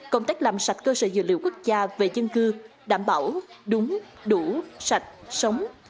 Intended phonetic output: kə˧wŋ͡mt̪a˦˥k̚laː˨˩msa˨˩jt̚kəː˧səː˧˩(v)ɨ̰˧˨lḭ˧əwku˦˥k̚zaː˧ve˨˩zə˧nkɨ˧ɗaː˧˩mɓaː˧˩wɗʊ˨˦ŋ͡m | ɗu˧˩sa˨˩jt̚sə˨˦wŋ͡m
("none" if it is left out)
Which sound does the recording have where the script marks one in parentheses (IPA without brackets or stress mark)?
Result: z